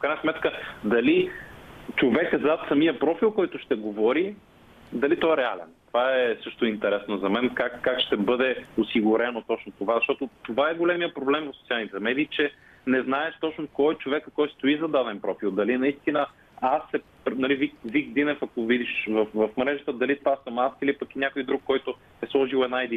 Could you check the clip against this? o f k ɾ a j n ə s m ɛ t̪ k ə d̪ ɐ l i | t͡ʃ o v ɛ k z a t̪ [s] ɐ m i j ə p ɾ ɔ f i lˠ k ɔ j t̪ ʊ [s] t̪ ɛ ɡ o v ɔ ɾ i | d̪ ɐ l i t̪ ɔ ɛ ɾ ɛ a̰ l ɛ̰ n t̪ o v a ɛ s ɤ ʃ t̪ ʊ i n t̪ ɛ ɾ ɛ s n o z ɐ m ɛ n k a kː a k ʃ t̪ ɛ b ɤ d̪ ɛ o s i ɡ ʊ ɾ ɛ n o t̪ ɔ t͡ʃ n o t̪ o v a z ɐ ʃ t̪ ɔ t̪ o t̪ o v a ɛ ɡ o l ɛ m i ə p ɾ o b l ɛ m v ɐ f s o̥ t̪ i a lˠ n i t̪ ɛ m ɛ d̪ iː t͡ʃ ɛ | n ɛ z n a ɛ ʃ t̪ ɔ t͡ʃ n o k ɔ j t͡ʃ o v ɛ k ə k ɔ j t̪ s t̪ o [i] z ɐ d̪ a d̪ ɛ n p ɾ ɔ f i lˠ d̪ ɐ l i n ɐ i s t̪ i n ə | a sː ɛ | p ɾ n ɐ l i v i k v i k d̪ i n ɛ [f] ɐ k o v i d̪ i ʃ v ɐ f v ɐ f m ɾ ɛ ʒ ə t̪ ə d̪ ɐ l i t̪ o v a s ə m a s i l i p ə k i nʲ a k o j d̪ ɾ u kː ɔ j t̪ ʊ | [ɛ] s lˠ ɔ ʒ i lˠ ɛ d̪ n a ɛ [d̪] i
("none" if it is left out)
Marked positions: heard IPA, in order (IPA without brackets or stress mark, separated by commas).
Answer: s, ʃ, i, f, ɛ, d̪